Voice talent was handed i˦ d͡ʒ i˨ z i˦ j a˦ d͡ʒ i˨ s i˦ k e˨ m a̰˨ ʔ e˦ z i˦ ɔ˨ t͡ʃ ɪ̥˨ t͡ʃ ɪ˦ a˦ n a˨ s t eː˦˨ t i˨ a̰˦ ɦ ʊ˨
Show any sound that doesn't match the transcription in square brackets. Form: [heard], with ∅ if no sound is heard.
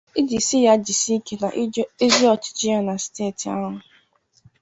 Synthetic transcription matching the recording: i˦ d͡ʒ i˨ [s] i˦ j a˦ d͡ʒ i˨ s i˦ k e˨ [n] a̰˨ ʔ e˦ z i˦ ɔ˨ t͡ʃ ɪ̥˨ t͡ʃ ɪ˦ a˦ n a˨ s t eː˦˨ t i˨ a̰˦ ɦ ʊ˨